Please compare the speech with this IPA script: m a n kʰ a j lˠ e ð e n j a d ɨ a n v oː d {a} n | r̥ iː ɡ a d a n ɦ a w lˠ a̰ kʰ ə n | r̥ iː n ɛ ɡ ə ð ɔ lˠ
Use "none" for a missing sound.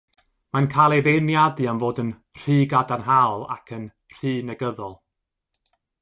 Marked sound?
ə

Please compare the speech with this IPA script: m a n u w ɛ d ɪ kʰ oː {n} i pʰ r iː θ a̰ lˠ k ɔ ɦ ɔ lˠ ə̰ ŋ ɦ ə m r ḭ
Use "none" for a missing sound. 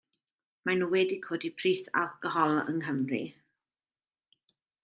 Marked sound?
d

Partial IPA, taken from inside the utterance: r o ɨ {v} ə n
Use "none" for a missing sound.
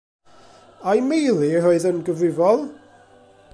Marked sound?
ð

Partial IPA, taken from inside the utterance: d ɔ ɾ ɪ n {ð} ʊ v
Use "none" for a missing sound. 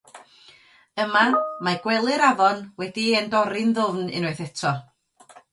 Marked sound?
ð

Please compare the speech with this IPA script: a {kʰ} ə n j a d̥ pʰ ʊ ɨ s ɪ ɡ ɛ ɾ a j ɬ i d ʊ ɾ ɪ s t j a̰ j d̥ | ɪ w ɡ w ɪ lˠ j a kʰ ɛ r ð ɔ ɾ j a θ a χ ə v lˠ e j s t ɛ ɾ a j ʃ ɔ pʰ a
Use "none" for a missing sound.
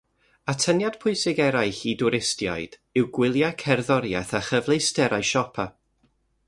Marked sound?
tʰ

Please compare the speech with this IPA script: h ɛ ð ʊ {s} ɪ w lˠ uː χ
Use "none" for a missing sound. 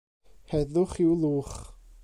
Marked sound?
χ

